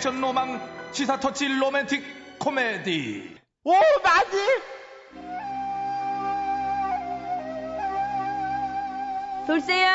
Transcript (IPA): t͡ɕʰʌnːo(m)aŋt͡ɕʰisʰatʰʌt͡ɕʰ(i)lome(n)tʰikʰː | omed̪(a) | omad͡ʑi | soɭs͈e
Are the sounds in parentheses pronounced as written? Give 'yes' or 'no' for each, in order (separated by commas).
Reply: yes, yes, yes, no